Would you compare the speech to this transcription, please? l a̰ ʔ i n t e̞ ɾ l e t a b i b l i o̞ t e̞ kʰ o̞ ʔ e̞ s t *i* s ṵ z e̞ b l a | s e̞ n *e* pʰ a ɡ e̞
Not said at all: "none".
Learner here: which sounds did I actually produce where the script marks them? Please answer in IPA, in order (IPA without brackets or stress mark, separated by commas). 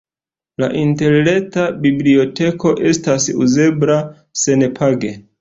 a, e